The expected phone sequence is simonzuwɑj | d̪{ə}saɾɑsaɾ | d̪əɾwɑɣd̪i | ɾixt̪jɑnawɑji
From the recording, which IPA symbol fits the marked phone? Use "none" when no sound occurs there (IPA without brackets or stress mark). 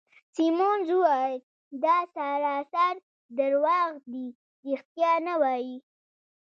ɑ